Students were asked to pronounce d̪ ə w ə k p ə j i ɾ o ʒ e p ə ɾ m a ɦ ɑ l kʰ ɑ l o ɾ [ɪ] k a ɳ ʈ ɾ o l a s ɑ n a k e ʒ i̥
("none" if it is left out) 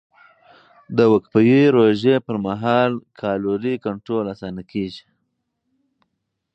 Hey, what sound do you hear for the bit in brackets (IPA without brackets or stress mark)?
i